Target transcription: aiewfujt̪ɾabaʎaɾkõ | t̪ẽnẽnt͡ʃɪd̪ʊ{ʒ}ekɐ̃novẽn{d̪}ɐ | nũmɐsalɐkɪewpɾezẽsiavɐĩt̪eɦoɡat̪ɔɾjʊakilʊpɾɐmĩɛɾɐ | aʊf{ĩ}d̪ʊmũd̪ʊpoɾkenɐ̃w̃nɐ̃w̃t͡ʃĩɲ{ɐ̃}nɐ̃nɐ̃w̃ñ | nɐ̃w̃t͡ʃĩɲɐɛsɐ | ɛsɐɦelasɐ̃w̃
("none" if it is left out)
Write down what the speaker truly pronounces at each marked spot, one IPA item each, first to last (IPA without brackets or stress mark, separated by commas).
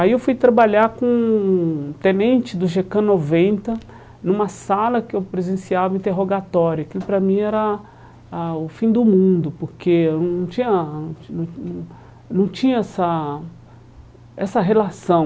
ʒ, t̪, ĩ, ɐ